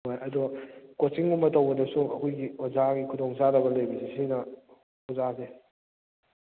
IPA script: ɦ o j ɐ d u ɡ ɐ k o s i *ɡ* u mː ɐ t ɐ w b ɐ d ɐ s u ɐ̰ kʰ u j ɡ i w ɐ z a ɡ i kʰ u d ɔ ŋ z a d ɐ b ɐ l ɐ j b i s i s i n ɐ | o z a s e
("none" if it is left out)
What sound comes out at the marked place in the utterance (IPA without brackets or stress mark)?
ŋ